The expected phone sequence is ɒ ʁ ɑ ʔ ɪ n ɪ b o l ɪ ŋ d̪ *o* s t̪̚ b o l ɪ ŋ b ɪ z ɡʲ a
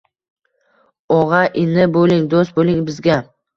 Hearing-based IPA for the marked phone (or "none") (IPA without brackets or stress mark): o